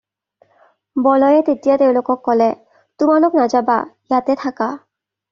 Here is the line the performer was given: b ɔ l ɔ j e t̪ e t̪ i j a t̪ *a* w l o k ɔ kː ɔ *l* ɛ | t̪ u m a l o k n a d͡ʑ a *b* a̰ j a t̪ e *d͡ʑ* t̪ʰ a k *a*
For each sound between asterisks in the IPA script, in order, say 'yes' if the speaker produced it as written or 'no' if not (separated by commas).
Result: no, yes, yes, no, yes